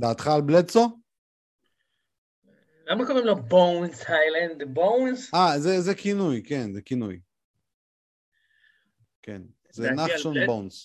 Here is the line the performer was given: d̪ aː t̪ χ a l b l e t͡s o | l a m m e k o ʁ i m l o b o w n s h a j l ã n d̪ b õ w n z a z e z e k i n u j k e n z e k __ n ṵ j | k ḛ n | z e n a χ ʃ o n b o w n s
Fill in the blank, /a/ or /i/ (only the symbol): i